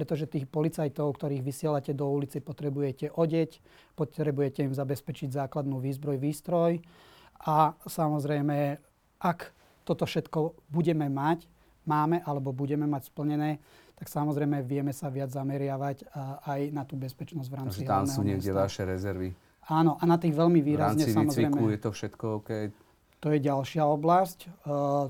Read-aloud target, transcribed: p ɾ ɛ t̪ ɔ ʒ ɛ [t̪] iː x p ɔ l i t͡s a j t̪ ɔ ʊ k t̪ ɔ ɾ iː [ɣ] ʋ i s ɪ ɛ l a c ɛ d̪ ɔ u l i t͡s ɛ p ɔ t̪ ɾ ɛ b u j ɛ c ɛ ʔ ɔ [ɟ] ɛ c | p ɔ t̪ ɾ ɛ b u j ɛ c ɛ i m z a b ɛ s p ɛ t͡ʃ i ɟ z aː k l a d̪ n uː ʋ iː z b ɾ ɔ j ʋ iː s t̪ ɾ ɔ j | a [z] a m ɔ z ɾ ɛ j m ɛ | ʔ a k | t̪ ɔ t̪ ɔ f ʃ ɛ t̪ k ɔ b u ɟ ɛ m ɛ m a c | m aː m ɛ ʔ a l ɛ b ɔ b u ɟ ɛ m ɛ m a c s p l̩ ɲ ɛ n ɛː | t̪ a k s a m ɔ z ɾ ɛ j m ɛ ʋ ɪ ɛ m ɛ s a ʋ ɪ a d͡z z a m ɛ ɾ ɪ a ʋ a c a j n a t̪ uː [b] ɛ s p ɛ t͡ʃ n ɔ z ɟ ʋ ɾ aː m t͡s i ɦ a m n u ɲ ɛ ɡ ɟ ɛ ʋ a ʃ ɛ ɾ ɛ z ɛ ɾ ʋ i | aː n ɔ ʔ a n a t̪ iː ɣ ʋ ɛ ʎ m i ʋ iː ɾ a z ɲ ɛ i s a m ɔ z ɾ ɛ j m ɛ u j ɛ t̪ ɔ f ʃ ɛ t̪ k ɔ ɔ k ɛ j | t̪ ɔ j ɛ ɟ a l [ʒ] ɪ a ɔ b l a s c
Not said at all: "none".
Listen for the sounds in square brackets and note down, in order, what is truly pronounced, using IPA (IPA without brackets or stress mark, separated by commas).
t̪, ɣ, ɟ, s, b, ʃ